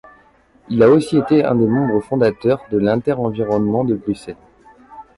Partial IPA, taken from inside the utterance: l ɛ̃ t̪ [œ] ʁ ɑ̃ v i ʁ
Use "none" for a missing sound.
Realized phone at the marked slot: ɛ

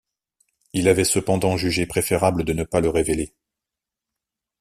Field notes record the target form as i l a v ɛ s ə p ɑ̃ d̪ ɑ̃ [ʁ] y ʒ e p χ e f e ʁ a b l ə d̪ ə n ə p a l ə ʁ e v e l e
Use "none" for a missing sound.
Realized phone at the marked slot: ʒ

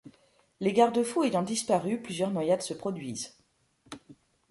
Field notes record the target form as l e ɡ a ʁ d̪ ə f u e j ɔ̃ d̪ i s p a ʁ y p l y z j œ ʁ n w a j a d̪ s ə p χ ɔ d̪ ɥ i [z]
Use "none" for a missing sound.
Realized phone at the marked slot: z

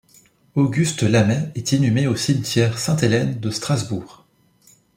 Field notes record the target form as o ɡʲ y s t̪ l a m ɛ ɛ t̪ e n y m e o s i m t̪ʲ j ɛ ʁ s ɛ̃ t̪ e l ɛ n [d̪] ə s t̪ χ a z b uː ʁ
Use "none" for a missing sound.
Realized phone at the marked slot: d̪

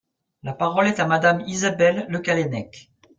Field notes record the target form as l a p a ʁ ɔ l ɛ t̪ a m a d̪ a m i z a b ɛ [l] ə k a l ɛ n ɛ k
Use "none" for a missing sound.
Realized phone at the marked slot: lː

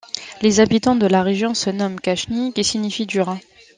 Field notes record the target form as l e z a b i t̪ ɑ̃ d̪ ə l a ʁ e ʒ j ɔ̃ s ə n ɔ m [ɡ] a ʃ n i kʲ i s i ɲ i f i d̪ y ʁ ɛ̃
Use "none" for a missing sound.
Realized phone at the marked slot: k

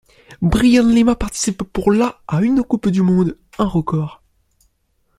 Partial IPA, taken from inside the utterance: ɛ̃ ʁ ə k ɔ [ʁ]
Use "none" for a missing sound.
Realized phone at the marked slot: ʁ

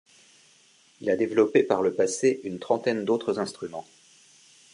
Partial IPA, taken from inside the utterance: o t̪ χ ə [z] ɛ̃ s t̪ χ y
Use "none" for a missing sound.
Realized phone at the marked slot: z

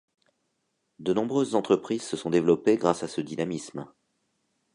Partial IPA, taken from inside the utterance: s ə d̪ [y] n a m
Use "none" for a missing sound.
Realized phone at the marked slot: i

